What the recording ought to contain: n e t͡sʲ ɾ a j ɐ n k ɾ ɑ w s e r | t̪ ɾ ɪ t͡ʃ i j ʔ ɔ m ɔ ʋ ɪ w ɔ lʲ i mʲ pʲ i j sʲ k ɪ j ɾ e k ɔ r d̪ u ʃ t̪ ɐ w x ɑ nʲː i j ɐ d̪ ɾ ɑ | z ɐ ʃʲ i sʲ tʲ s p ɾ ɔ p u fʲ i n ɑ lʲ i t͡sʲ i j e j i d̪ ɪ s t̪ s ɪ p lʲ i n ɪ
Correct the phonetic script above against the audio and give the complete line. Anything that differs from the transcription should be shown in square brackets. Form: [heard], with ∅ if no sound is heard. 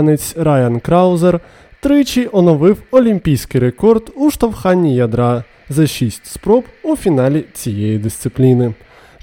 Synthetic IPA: n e t͡sʲ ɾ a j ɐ n k ɾ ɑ w [z] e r | t̪ ɾ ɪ t͡ʃ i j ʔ ɔ [n] ɔ ʋ ɪ w ɔ lʲ i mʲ pʲ i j sʲ k ɪ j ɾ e k ɔ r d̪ u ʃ t̪ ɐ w x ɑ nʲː i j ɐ d̪ ɾ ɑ | z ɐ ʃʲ i sʲ tʲ s p ɾ ɔ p u fʲ i n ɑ lʲ i t͡sʲ i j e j i d̪ ɪ s t̪ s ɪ p lʲ i n ɪ